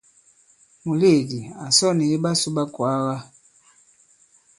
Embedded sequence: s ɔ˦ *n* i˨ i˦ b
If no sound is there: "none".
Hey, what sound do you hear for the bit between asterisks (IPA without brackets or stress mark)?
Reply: n